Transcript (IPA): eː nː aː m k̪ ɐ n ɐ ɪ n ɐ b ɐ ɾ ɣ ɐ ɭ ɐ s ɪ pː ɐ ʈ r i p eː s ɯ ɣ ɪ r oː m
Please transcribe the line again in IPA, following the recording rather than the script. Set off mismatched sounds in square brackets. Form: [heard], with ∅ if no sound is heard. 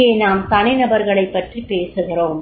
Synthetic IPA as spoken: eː [n] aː m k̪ ɐ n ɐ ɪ n ɐ b ɐ ɾ ɣ ɐ ɭ ɐ [∅] ɪ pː ɐ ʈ r i p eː s ɯ ɣ ɪ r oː m